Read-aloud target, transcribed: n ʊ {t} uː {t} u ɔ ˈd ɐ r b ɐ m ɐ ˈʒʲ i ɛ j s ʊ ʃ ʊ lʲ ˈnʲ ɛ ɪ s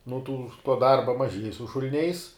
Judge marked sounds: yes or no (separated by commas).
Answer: yes, yes